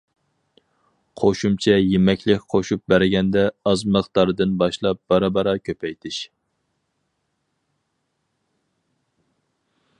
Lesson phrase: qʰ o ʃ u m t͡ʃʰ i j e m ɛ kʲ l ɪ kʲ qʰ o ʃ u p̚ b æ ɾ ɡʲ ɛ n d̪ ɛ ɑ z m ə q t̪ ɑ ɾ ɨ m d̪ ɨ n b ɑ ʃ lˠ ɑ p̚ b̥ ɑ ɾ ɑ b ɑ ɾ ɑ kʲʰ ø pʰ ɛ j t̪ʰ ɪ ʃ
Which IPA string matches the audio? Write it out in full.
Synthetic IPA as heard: qʰ o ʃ u m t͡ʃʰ ɛ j e m ɛ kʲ l ɪ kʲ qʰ o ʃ u p̚ b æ ɾ ɡʲ ɛ n d̪ ɛ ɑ z m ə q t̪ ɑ ɾ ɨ d̪ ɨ n b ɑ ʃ lˠ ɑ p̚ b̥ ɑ ɾ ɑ b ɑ ɾ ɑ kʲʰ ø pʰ ɛ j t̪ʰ ɪ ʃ